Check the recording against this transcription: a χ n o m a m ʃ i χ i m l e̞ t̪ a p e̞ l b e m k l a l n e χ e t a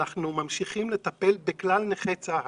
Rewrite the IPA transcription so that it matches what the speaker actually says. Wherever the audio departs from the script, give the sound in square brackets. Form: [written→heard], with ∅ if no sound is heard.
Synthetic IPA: a χ n [o→u] m a m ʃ i χ i m l e̞ t̪ a p e̞ l b e [m→∅] k l a l n e χ e [t→t͡s] a